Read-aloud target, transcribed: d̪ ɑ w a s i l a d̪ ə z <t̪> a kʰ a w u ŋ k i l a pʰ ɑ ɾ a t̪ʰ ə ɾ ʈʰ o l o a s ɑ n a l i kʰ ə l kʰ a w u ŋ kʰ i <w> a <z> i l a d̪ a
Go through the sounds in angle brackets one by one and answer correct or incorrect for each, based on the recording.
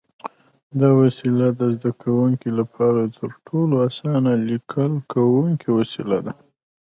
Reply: incorrect: d̪, correct, incorrect: s

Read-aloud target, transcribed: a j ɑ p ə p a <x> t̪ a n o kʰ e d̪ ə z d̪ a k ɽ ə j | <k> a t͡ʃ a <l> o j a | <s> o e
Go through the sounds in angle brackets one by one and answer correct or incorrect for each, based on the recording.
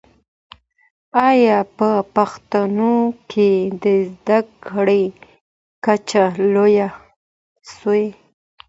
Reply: correct, correct, correct, correct

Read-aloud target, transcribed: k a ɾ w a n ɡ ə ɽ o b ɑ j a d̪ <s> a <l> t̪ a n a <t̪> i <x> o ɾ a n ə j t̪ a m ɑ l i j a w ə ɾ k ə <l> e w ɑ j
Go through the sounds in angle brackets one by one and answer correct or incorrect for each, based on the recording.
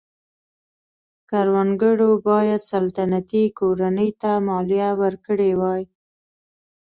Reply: correct, correct, correct, incorrect: k, incorrect: ɽ

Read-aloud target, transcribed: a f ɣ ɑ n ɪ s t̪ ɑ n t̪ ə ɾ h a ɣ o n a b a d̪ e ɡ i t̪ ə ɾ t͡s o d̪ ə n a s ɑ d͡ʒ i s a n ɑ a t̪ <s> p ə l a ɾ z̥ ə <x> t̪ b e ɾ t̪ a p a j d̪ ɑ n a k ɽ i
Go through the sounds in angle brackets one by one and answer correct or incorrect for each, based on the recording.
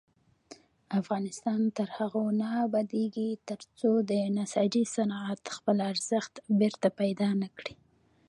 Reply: incorrect: x, correct

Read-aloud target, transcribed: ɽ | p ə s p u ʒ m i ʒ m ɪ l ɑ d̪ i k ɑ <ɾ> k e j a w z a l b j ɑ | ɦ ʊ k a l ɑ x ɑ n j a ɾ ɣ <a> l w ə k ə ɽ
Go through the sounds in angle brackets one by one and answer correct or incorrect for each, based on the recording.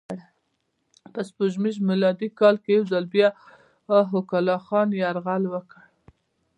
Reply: incorrect: l, correct

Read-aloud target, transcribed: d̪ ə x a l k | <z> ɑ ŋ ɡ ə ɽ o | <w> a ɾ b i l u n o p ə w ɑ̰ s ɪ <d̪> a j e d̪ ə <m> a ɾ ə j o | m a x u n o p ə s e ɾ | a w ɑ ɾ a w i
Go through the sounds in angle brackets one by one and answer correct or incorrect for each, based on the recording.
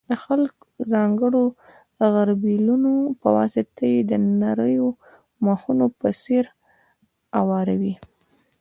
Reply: correct, incorrect: ɣ, incorrect: t̪, incorrect: n

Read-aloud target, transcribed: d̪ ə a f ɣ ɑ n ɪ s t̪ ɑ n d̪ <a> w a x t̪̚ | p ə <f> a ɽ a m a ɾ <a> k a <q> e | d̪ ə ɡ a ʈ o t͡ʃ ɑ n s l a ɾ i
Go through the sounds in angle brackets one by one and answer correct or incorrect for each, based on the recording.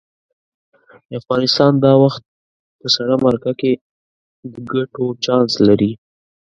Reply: incorrect: ɑ, incorrect: s, correct, incorrect: k

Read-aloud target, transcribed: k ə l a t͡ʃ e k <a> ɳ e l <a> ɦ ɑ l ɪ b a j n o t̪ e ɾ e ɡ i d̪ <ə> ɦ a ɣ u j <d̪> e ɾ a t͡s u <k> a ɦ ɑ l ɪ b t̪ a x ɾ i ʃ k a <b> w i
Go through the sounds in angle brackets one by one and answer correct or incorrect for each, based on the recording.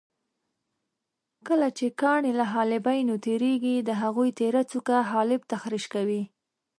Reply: incorrect: ɑ, correct, correct, incorrect: t̪, correct, incorrect: none

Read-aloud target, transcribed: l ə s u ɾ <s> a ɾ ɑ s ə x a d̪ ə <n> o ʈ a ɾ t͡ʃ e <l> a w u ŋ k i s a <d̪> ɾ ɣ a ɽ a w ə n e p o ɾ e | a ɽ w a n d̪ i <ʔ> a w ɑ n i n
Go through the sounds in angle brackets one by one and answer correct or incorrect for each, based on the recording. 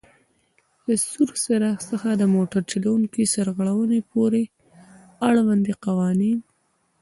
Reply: correct, incorrect: m, correct, incorrect: none, incorrect: q

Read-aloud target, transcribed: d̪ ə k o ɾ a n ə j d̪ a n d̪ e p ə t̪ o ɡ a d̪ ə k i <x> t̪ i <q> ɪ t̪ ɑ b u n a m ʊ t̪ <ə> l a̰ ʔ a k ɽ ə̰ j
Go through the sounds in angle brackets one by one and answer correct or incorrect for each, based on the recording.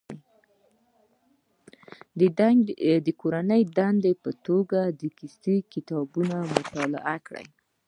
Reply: incorrect: s, incorrect: k, incorrect: ɑ

